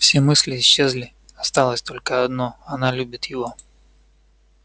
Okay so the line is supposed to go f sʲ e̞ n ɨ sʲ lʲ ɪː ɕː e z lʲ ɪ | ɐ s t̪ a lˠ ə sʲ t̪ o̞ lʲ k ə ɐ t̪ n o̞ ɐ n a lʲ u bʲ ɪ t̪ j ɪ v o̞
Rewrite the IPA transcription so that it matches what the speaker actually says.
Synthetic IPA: f sʲ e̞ m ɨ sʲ lʲ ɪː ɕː e z lʲ ɪ | ɐ s t̪ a lˠ ə sʲ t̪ o̞ lʲ k ə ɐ d̪ n o̞ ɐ n a lʲ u bʲ ɪ t̪ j ɪ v o̞

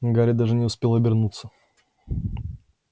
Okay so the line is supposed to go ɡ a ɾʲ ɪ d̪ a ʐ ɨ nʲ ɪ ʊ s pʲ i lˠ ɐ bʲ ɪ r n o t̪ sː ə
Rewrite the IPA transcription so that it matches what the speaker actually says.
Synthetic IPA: ɡ a ɾʲ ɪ d̪ a ʐ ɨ nʲ ɪ ʊ s pʲ e lˠ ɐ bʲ ɪ r n u t̪ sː ə

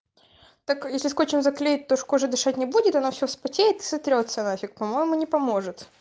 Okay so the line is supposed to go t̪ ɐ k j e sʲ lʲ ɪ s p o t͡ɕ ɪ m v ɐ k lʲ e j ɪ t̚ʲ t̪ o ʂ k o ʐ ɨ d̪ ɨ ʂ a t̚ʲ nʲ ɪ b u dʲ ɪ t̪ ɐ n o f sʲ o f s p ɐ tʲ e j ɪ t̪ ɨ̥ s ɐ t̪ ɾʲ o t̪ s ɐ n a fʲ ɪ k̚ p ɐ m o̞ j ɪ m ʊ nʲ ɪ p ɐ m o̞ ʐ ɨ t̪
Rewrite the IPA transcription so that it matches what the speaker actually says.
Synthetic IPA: t̪ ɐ k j e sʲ lʲ ɪ s k o t͡ɕ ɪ m z ɐ k lʲ e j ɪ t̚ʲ t̪ o ʂ k o ʐ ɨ d̪ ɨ ʂ a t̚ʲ nʲ ɪ b u dʲ ɪ t̪ ɐ n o f sʲ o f s p ɐ tʲ e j ɪ t̪ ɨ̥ s ɐ t̪ ɾʲ o t̪ s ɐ n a fʲ ɪ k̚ p ɐ m o̞ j ɪ m ʊ nʲ ɪ p ɐ m o̞ ʐ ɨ t̪

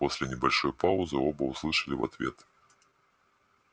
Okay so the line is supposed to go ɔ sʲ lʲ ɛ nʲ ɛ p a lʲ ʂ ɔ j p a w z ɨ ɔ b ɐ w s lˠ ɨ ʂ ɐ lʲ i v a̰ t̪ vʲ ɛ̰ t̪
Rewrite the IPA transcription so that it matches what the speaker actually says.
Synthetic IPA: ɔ sʲ lʲ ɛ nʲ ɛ b a lʲ ʂ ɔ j p a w z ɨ ɔ b ɐ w s lˠ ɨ ʂ ɐ lʲ i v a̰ t̪ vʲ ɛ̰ t̪

